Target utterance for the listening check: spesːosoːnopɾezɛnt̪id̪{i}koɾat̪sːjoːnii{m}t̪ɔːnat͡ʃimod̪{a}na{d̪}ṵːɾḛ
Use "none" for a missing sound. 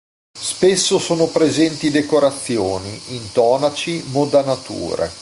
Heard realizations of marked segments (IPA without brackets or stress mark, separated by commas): e, n, a, t̪